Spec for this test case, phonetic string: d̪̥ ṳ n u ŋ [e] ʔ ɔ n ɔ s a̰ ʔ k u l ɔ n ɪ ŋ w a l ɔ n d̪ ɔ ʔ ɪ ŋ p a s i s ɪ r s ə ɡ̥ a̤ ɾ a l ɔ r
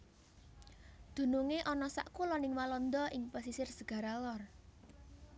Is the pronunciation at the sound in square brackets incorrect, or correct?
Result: correct